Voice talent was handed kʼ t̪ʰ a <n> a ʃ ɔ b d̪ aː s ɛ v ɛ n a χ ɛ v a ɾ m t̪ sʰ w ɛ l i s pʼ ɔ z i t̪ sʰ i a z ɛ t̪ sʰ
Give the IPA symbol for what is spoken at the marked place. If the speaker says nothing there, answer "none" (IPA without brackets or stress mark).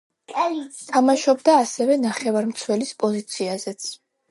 m